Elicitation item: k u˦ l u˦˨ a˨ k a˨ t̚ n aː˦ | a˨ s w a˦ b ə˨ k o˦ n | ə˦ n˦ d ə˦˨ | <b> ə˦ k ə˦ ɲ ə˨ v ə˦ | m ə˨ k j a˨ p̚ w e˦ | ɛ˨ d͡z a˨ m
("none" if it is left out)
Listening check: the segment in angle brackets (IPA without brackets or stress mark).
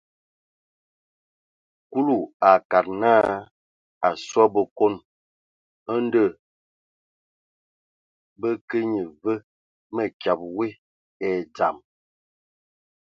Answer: b